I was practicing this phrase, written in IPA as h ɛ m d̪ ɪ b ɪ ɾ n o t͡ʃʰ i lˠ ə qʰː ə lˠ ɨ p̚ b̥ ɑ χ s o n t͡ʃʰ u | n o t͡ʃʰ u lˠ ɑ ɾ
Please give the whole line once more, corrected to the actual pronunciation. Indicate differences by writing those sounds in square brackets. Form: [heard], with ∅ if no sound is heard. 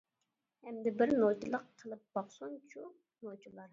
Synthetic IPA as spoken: h ɛ m d̪ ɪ b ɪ ɾ n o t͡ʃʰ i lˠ ə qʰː ə lˠ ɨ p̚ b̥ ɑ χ s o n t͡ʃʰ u | n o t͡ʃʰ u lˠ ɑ ɾ